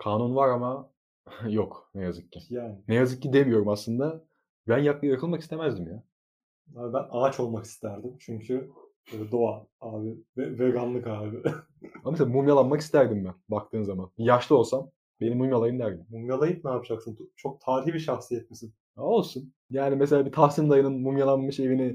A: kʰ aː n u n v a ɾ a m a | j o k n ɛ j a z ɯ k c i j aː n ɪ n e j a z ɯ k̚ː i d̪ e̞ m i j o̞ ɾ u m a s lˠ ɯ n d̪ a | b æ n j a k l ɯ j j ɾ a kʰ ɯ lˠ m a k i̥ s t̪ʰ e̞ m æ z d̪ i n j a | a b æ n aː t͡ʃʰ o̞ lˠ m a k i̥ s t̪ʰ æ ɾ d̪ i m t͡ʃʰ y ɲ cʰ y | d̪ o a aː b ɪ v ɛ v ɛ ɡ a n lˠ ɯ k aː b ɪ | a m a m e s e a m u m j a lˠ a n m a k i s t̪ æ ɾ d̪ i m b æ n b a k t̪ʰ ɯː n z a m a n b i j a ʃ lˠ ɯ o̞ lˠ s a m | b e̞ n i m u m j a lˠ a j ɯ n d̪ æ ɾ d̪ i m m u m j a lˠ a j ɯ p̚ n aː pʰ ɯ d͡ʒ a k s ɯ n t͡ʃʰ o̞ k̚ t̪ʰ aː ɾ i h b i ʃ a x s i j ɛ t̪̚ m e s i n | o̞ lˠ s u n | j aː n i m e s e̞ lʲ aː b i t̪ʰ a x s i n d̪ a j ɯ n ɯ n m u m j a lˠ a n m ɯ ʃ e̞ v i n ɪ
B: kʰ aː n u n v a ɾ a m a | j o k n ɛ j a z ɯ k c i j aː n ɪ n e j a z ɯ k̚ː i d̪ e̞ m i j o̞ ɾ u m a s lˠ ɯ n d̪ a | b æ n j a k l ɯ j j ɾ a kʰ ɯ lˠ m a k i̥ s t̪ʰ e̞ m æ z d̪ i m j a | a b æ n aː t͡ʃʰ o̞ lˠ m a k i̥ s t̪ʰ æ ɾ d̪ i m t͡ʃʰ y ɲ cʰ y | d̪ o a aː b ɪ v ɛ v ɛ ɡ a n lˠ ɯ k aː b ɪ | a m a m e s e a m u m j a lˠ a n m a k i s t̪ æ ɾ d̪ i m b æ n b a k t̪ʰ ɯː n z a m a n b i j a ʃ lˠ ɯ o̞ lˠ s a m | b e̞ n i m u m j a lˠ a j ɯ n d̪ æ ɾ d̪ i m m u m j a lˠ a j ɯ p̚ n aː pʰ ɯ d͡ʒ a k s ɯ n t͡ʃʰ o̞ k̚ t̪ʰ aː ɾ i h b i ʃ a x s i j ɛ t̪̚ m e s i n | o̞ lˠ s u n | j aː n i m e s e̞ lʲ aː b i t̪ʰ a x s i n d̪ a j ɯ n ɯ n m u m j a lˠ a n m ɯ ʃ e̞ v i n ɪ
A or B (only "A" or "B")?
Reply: B